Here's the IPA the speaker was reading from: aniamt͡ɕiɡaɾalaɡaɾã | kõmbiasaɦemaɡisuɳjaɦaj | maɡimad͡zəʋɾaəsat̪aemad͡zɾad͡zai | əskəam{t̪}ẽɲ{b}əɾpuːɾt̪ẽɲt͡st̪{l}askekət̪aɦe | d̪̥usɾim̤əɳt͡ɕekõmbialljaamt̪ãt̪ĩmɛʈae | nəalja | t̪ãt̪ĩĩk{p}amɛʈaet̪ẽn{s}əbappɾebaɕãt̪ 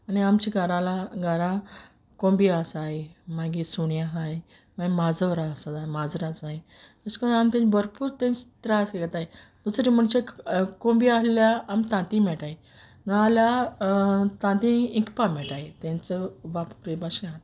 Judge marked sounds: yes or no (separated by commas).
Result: yes, yes, no, yes, no